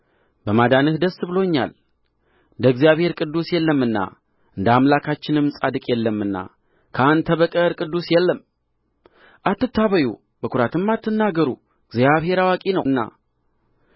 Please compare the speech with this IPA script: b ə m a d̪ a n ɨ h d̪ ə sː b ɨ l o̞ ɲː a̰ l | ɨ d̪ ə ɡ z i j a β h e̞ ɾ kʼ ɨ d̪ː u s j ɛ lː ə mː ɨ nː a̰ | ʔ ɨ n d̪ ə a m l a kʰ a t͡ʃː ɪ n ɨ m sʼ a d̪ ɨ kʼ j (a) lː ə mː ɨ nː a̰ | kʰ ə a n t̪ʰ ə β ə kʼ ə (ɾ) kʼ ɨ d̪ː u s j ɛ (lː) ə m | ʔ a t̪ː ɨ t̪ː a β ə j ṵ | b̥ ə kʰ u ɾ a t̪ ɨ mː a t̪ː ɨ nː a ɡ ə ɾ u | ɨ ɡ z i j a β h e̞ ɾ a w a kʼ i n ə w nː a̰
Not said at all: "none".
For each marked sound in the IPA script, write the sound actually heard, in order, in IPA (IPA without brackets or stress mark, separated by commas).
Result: ɛ, ɾ, lː